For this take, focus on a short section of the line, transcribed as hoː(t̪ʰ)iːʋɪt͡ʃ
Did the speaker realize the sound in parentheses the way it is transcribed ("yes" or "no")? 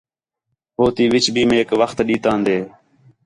no